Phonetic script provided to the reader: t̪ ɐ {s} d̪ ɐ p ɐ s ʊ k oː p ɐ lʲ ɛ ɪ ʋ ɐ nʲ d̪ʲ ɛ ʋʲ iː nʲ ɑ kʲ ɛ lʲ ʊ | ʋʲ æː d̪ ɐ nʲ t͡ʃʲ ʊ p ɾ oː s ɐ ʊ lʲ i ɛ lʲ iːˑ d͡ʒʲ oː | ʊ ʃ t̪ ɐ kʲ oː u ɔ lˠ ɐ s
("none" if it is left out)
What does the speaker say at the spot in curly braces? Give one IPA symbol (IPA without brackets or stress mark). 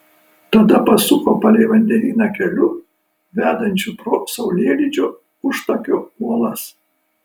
none